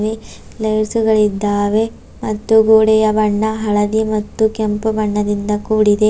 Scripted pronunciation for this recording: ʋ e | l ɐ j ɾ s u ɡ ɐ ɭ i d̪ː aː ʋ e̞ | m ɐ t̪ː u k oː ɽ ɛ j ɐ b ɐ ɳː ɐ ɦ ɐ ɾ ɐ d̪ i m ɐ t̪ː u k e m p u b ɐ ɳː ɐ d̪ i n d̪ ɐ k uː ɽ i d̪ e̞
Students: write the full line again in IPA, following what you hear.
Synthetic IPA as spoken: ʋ e | l ɐ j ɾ s u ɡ ɐ ɭ i d̪ː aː ʋ e̞ | m ɐ t̪ː u ɡ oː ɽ ɛ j ɐ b ɐ ɳː ɐ ɦ ɐ ɭ ɐ d̪ i m ɐ t̪ː u k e m p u b ɐ ɳː ɐ d̪ i n d̪ ɐ k uː ɽ i d̪ e̞